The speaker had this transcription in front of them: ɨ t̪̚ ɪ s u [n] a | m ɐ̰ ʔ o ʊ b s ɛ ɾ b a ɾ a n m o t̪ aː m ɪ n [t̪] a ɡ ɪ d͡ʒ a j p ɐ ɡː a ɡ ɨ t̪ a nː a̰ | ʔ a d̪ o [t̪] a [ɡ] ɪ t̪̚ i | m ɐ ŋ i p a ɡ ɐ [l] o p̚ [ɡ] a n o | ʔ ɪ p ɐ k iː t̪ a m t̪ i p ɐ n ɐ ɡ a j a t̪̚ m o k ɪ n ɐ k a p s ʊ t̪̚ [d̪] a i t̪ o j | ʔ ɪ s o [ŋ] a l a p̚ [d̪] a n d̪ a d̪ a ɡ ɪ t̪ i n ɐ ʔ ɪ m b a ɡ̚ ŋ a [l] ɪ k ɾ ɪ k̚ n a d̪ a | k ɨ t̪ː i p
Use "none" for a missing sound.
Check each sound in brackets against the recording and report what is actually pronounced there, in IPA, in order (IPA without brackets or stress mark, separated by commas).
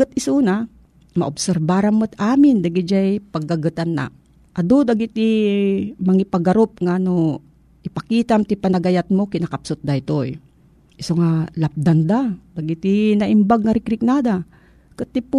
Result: n, d̪, d̪, ɡ, ɾ, ŋ, d̪, ŋ, d̪, ɾ